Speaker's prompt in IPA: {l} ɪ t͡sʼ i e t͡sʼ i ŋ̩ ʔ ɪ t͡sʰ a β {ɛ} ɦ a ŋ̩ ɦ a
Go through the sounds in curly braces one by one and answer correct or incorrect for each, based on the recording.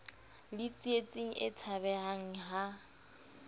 correct, correct

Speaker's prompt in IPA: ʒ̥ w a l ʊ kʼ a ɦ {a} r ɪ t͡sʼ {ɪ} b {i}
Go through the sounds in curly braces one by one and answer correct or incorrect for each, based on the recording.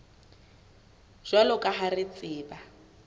correct, incorrect: ɪː, incorrect: a

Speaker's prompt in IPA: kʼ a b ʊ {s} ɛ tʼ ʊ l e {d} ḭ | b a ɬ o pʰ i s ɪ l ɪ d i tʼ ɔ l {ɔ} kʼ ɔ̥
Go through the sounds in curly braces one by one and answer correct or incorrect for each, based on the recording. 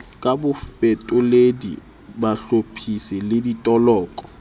incorrect: f, correct, incorrect: ɔː

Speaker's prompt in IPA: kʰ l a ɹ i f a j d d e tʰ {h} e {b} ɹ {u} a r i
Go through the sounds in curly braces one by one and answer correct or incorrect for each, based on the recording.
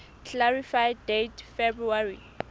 incorrect: f, correct, correct

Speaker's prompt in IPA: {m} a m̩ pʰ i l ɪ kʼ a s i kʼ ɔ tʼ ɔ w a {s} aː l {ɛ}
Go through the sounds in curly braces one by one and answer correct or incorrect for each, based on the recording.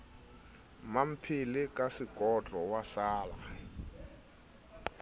correct, correct, incorrect: a

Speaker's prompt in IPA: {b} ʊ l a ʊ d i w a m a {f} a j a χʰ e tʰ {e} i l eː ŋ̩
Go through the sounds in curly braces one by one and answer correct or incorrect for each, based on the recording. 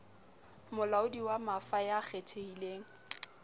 incorrect: m, correct, correct

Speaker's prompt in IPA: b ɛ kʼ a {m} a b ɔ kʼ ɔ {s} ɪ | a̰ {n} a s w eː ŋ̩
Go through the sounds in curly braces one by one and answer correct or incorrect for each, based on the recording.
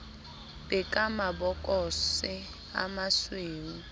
correct, correct, incorrect: m

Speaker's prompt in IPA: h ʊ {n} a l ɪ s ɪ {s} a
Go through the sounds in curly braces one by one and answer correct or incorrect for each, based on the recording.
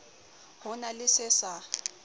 correct, correct

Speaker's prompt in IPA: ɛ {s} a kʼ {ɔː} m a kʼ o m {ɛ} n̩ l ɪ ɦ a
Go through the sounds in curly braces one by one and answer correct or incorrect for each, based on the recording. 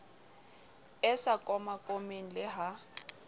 correct, incorrect: ɔ, incorrect: e

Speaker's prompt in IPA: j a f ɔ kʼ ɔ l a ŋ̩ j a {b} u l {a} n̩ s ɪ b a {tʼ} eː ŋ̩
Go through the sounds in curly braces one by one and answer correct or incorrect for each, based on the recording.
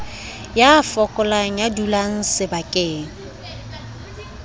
incorrect: d, correct, incorrect: kʼ

